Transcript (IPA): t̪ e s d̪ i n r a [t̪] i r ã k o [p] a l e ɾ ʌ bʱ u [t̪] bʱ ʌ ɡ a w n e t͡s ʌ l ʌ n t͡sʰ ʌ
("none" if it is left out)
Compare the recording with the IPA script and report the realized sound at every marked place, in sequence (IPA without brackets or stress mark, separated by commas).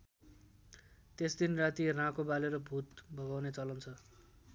t̪, b, t̪